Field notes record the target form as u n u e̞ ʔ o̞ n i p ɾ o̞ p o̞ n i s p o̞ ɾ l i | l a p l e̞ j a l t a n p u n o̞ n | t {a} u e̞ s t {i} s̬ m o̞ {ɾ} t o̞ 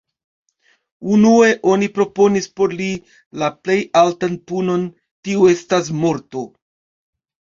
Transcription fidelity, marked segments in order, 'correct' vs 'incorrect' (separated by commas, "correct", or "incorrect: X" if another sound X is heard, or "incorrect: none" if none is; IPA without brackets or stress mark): incorrect: i, incorrect: a, correct